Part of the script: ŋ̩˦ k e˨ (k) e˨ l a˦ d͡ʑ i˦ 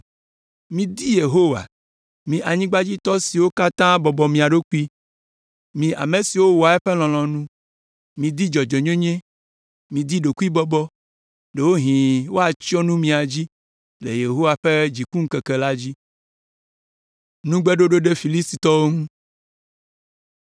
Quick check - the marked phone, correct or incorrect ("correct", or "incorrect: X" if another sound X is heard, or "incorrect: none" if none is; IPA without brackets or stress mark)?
correct